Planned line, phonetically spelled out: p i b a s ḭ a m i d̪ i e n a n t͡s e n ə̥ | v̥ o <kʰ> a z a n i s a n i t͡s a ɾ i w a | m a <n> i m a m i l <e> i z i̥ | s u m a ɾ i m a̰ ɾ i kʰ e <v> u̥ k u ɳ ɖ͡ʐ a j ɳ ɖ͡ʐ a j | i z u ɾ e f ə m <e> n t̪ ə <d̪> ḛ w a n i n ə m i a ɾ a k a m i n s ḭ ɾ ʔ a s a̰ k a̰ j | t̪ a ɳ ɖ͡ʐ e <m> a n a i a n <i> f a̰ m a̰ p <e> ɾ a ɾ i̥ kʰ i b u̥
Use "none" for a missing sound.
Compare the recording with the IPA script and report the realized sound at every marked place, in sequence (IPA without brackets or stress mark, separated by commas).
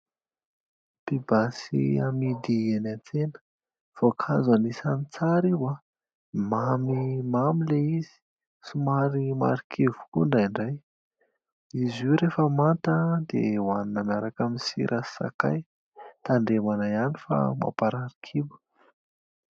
kʰ, m, e, v, a, d̪, m, i, a